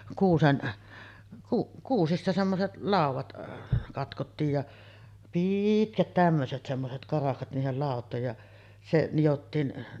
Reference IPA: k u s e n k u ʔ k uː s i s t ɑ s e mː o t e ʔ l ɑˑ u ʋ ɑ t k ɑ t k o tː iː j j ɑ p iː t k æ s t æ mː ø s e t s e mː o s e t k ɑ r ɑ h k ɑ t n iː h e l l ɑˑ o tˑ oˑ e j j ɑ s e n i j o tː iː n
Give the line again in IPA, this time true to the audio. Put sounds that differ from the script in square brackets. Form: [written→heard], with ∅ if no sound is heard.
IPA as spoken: k [u→uː] s e n k u ʔ k uː s i s t ɑ s e mː o [t→s] e [ʔ→t] l ɑˑ u ʋ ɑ t k ɑ t k o tː iː j j ɑ p iː t k æ [s→t] t æ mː ø s e t s e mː o s e t k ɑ r ɑ h k ɑ t n iː h e l l ɑˑ o tˑ oˑ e j j ɑ s e n i j o tː iː n